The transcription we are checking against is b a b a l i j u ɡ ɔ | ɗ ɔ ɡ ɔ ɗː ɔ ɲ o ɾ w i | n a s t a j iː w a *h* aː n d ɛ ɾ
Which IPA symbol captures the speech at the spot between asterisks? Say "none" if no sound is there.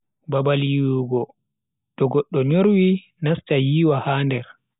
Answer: h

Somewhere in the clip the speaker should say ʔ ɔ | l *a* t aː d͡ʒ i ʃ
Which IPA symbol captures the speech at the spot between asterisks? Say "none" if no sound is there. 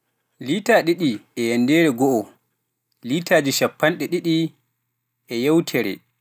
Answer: i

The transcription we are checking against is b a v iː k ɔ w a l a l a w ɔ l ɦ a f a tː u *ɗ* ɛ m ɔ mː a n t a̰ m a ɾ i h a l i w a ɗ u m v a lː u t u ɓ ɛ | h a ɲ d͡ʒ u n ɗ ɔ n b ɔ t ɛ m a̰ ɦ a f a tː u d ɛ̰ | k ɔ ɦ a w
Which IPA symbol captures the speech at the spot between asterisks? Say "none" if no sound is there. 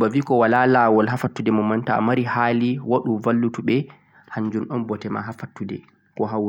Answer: d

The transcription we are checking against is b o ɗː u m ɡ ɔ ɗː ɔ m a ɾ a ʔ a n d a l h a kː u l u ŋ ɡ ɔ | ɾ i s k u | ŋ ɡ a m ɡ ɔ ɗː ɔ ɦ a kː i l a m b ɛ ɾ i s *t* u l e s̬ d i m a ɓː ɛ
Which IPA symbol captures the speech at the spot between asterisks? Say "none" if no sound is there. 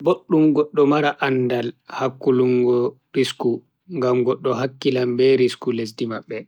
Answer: k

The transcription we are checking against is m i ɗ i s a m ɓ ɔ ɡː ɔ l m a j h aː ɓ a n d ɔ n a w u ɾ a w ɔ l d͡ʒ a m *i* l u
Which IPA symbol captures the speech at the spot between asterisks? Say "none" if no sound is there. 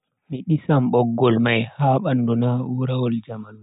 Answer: a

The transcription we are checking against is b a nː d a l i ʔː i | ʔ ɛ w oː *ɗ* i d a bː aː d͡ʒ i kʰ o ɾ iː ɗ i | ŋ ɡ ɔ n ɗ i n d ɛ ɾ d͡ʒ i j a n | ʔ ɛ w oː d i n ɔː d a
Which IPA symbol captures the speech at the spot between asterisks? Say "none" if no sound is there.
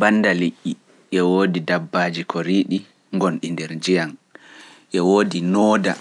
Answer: d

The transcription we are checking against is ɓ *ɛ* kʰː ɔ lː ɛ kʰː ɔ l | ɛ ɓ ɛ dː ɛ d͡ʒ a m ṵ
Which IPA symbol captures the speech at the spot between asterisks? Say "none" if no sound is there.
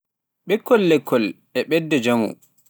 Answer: ɛ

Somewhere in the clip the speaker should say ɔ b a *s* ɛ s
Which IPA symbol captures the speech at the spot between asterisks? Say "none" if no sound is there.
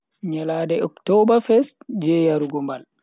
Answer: f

